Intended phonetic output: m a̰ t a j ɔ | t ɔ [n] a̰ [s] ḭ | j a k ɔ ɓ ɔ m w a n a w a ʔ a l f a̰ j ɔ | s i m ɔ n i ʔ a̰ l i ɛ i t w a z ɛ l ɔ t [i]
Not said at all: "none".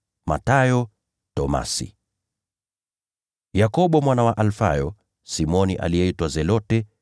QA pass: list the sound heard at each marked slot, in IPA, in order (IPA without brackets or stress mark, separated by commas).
m, s, ɛ